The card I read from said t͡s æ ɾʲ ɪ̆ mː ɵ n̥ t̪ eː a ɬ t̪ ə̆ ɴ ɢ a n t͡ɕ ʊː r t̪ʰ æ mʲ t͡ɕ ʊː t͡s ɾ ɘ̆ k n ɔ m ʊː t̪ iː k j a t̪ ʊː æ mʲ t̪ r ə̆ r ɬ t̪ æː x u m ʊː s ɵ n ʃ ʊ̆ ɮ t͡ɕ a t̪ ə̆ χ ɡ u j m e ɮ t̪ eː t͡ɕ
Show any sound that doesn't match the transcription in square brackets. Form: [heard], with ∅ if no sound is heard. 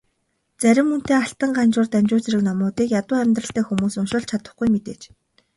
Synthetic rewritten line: t͡s æ ɾʲ ɪ̆ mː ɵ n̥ t̪ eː a ɬ t̪ ə̆ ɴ ɢ a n t͡ɕ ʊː r [t̪] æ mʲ t͡ɕ ʊː t͡s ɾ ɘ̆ k n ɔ m ʊː t̪ iː k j a t̪ ʊː æ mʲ t̪ r ə̆ [∅] ɬ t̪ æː x u m [uː] s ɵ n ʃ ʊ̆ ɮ [t͡ɕʰ] a t̪ ə̆ χ ɡ u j m e [∅] t̪ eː t͡ɕ